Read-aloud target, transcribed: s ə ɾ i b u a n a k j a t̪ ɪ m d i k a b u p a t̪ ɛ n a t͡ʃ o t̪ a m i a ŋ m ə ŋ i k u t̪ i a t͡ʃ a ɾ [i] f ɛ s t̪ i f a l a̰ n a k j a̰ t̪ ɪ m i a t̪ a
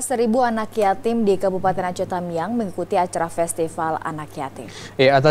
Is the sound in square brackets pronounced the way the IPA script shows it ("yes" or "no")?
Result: no